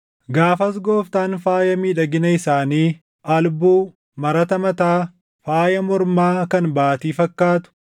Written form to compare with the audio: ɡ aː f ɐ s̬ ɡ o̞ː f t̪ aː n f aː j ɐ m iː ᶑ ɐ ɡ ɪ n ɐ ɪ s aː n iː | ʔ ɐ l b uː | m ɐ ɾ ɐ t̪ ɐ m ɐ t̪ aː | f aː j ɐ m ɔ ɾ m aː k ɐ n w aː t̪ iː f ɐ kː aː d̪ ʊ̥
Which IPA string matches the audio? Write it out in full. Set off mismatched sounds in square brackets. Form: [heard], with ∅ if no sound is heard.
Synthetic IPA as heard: ɡ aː f ɐ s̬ ɡ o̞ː f t̪ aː n f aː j ɐ m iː ᶑ ɐ ɡ ɪ n ɐ ɪ s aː n iː | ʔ ɐ l b uː | m ɐ ɾ ɐ t̪ ɐ m ɐ t̪ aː | f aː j ɐ m ɔ ɾ m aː k ɐ n [b] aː t̪ iː f ɐ kː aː [t̪] ʊ̥